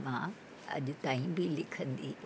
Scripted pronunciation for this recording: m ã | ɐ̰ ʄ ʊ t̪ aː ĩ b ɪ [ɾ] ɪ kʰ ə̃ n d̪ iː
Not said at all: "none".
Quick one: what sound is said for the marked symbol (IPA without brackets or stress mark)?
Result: l